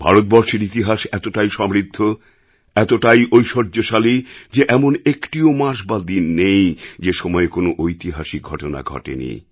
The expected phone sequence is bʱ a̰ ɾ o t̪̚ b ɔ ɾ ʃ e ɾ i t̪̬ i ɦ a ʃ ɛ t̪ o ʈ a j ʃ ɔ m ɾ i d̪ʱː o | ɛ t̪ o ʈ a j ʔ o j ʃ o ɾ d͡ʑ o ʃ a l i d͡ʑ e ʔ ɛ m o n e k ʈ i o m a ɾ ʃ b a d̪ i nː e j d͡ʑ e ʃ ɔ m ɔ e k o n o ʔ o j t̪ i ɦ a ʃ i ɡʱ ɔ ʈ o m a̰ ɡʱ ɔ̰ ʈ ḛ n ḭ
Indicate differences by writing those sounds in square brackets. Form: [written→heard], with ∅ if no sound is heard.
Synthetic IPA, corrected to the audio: bʱ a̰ ɾ o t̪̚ b ɔ ɾ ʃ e ɾ i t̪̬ i ɦ a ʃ ɛ t̪ o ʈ a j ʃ ɔ m ɾ i d̪ʱː o | ɛ t̪ o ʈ a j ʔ o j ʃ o ɾ d͡ʑ o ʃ a l i d͡ʑ e ʔ ɛ m o n e k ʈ i o m a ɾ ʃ b a d̪ i nː e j d͡ʑ e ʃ ɔ m ɔ e k o n o ʔ o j t̪ i ɦ a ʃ i ɡʱ ɔ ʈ o [m→n] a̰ ɡʱ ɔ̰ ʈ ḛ n ḭ